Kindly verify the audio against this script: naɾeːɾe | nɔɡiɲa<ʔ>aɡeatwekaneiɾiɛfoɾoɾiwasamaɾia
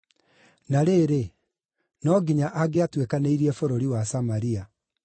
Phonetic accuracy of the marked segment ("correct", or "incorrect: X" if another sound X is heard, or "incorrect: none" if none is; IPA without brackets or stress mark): correct